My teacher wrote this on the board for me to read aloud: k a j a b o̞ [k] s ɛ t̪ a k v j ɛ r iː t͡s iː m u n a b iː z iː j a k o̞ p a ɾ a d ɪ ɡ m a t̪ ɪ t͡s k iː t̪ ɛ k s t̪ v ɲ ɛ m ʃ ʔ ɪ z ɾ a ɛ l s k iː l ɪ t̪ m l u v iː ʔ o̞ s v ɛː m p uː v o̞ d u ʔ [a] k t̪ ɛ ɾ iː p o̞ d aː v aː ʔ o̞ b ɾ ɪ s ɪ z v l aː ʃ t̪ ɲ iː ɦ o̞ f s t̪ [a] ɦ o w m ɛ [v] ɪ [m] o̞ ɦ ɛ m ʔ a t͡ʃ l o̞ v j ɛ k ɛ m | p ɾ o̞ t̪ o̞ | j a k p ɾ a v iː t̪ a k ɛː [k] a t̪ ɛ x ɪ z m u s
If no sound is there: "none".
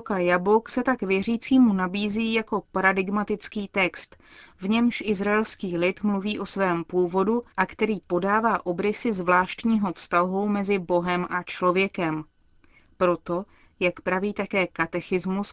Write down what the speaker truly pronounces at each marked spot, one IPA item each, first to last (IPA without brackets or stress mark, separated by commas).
k, a, a, z, b, k